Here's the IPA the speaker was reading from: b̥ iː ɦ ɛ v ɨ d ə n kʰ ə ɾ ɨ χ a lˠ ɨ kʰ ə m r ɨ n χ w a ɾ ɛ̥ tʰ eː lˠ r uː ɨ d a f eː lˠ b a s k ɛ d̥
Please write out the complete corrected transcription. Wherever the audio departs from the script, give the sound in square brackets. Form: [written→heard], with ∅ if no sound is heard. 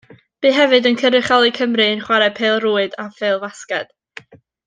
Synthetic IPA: b̥ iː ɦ ɛ v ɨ d ə n kʰ ə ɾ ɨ χ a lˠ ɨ kʰ ə m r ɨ n χ w a ɾ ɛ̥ [tʰ→pʰ] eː lˠ r uː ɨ d a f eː lˠ [b→v] a s k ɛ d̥